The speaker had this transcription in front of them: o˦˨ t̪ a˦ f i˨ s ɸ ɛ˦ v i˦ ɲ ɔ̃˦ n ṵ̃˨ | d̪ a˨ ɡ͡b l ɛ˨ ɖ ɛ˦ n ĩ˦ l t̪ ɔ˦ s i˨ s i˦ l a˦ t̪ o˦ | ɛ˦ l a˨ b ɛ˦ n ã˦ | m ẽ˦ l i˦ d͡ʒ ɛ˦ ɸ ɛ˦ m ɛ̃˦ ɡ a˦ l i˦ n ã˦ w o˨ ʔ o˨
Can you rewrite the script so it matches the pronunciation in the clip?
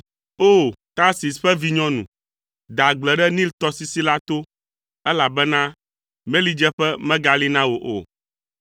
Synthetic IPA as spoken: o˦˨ t̪ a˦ s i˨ s ɸ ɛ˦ v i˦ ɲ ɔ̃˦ n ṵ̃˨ | d̪ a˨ ɡ͡b l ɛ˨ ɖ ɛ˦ n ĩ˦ l t̪ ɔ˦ s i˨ s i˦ l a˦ t̪ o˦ | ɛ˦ l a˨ b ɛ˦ n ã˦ | m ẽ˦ l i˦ d͡ʒ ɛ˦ ɸ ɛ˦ m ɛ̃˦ ɡ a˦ l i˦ n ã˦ w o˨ ʔ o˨